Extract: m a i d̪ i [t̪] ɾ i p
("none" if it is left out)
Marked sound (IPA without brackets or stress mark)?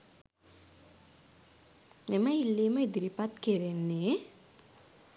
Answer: none